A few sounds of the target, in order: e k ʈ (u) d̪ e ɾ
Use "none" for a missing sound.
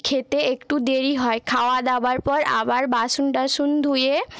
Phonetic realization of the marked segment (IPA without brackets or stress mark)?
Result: u